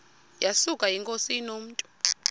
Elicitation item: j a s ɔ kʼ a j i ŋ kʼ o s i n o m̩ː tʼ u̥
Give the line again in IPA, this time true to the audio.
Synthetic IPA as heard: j a s u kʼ a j i ŋ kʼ o s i n o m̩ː tʼ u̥